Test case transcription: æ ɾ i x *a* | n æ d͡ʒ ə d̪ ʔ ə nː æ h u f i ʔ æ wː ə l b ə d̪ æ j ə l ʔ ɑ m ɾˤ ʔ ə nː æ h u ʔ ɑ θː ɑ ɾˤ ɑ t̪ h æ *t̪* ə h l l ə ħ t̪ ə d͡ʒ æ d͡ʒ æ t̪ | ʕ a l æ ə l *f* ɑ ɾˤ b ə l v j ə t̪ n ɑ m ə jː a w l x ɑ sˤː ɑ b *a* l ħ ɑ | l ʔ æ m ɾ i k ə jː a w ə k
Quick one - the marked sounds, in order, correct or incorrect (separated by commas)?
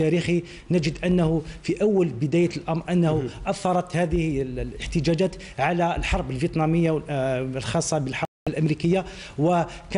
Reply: incorrect, incorrect, incorrect, incorrect